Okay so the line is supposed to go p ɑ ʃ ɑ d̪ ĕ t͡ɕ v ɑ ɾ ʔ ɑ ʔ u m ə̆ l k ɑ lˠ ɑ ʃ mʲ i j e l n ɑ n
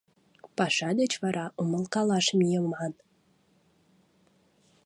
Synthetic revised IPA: p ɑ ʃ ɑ d̪ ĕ t͡ɕ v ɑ ɾ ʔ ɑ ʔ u m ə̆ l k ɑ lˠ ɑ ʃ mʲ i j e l m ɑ n